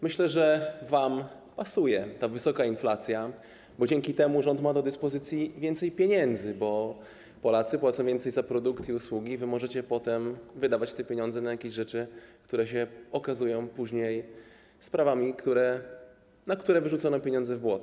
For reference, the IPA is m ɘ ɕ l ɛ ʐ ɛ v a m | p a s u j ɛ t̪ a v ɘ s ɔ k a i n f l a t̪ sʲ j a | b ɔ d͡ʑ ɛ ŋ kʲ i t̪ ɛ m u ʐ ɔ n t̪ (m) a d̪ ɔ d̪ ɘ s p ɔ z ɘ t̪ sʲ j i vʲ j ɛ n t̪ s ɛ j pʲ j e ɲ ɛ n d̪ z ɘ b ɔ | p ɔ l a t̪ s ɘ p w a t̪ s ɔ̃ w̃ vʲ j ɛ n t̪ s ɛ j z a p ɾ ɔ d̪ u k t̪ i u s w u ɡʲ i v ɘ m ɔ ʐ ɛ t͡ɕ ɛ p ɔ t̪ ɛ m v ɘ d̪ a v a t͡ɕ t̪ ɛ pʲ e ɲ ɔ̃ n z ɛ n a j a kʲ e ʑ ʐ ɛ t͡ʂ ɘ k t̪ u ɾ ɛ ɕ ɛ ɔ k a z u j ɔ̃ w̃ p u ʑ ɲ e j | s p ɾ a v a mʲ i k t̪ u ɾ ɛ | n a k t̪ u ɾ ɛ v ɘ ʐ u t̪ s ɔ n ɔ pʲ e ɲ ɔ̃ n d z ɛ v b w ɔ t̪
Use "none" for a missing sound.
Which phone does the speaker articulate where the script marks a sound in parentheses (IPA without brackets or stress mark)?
m